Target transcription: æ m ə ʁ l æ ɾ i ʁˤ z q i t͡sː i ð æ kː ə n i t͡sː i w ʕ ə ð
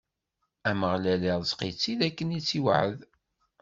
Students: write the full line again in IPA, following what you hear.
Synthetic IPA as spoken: æ m ə ʁ l æ l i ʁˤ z q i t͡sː i ð æ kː ə n i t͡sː i w ʕ ə ð